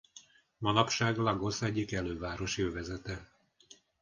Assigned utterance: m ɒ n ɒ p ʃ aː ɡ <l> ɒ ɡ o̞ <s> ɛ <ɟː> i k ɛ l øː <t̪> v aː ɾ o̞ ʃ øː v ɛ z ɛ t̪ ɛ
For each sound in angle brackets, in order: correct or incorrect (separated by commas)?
correct, correct, correct, incorrect